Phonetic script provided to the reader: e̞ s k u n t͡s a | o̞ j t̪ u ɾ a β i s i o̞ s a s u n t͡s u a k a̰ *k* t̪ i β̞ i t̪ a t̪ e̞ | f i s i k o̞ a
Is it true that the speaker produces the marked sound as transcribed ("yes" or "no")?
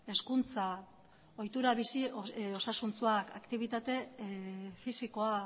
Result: yes